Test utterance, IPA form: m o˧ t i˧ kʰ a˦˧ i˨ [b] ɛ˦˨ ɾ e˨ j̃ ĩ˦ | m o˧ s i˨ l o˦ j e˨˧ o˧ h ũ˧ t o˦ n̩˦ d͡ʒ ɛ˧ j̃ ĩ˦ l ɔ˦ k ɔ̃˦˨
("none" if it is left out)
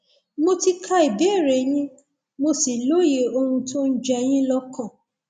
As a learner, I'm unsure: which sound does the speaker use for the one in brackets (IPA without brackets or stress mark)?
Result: b